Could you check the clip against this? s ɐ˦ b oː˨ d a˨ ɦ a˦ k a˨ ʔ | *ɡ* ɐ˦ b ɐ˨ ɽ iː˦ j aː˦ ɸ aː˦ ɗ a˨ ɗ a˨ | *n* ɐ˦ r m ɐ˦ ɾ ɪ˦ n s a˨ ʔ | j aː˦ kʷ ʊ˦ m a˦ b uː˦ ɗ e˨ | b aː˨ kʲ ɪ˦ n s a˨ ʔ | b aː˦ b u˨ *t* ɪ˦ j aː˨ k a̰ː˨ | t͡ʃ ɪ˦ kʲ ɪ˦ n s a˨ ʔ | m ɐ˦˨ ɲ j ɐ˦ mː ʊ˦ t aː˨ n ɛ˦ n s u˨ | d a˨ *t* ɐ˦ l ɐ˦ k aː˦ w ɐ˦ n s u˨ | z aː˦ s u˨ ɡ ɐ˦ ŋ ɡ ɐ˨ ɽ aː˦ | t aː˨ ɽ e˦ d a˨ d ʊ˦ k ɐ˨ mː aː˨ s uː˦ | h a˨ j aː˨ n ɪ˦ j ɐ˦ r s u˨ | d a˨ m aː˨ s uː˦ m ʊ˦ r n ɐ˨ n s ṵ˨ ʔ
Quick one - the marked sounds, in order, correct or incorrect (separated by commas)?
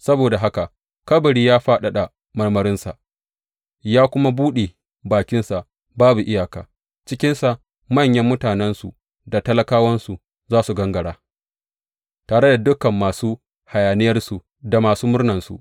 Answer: incorrect, incorrect, incorrect, correct